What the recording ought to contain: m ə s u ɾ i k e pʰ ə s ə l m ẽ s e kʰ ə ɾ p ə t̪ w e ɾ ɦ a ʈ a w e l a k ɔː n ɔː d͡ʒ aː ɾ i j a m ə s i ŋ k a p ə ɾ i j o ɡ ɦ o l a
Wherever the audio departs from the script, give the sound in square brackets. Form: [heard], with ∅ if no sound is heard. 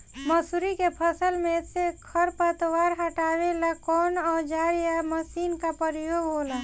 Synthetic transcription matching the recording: m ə s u ɾ i k e pʰ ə s ə l m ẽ s e kʰ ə ɾ p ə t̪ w [a] ɾ ɦ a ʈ a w e l a k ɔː n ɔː d͡ʒ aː ɾ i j a m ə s i [n] k a p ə ɾ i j o ɡ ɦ o l a